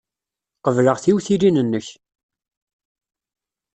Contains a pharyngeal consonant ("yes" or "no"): no